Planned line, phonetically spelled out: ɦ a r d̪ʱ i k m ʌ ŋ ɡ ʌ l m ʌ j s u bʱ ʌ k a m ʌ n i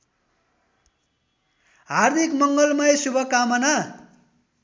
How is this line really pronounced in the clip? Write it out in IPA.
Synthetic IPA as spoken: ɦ a r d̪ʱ i k m ʌ ŋ ɡ ʌ l m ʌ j s u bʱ ʌ k a m ʌ n a